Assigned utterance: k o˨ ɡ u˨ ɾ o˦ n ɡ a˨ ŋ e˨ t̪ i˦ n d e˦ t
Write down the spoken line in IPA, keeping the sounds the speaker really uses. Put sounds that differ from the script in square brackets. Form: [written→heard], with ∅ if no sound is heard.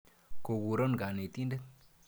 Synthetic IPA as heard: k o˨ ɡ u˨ ɾ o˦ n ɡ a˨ [ŋ→n] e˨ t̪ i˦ n d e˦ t